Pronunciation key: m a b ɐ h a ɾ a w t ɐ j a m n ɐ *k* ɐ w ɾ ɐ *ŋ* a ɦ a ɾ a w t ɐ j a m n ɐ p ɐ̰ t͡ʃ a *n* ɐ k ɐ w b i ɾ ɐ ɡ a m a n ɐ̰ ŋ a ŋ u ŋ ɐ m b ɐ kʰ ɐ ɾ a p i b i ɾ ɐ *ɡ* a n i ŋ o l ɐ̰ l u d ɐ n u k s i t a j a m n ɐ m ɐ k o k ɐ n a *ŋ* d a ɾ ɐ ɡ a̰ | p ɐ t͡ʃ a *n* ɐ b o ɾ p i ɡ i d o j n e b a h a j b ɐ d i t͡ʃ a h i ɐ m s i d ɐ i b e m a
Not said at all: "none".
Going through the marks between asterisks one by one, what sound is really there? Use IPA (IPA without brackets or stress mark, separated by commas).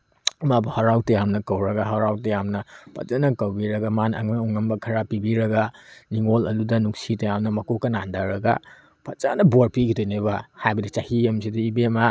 k, ɡ, n, ɡ, n, n